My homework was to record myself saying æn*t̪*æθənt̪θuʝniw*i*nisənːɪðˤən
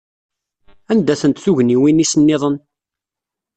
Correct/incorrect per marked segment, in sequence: incorrect, correct

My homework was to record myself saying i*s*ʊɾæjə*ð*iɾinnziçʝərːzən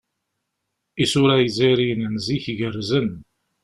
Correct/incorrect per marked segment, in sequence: correct, incorrect

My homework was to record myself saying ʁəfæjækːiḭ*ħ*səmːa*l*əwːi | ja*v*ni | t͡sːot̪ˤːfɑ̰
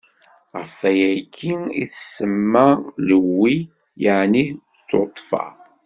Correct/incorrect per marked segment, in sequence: incorrect, correct, incorrect

